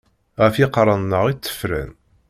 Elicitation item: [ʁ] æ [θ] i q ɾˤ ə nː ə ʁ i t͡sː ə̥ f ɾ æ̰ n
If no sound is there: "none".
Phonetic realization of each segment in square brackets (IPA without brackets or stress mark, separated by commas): ʁ, f